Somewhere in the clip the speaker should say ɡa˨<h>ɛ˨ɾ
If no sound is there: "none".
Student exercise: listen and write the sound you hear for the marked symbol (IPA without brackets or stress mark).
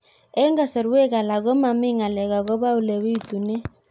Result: s